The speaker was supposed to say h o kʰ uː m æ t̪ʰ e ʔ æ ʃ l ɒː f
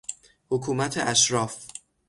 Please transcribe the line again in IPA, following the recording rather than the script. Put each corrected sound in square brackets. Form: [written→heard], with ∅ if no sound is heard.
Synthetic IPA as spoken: h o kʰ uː m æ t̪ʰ e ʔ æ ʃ [l→ɾ] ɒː f